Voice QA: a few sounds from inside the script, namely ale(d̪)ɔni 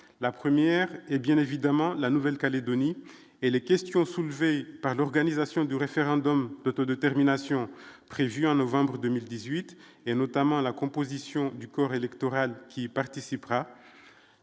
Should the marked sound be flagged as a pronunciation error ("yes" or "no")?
no